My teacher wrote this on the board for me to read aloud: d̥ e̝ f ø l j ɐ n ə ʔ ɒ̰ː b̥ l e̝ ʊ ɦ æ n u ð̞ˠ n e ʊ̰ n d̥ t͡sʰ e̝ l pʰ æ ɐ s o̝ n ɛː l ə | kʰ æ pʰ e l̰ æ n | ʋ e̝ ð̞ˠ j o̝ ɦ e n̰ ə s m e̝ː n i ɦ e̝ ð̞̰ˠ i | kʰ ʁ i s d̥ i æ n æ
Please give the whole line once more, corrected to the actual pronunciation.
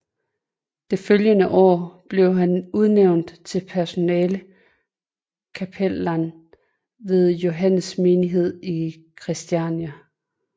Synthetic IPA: d̥ e̝ f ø l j ə n ə ʔ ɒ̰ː b̥ l e̝ ʊ ɦ æ n u ð̞ˠ n e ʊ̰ n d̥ t͡sʰ e̝ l pʰ æ ɐ s o̝ n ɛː l ə | kʰ æ pʰ e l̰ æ n | ʋ e̝ ð̞ˠ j o̝ ɦ æ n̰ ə s m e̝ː n i ɦ e̝ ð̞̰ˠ i | kʰ ʁ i s d̥ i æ n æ